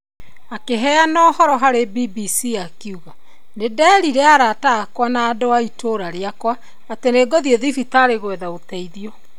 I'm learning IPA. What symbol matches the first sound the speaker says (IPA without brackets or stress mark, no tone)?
a